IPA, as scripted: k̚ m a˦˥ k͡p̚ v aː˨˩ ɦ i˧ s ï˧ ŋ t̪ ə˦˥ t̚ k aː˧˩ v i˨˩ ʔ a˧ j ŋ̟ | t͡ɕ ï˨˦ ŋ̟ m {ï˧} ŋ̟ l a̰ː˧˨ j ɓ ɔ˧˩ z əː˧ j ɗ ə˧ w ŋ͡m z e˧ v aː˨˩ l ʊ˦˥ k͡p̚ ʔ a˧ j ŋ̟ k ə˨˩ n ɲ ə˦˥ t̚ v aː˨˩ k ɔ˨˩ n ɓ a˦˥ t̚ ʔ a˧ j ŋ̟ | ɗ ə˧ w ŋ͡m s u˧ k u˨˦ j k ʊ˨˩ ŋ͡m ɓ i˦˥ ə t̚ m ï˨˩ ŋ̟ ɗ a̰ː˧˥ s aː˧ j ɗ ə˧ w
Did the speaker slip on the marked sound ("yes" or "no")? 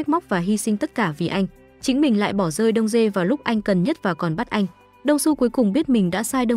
yes